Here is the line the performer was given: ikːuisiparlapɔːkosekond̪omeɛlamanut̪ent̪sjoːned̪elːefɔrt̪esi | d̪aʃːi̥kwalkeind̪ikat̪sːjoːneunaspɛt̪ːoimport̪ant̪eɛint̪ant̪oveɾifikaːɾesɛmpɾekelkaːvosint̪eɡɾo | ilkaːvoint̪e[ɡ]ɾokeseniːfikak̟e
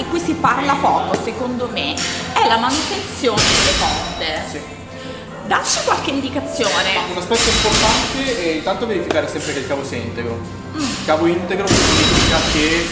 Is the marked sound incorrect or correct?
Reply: correct